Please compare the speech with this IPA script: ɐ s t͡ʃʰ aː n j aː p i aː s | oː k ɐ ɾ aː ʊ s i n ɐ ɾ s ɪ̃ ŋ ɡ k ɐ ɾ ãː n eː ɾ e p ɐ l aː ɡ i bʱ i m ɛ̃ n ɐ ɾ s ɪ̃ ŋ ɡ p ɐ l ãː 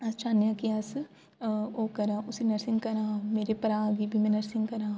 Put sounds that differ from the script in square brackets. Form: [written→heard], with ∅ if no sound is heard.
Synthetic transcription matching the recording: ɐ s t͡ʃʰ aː n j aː [p→k] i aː s | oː k ɐ ɾ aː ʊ s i n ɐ ɾ s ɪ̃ ŋ ɡ k ɐ ɾ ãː [n→m] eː ɾ e p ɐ [l→ɾ] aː ɡ i bʱ i m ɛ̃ n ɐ ɾ s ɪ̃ ŋ ɡ [p→k] ɐ [l→ɾ] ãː